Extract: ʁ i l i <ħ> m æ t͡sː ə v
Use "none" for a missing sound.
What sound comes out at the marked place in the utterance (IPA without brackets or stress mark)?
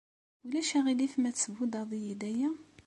f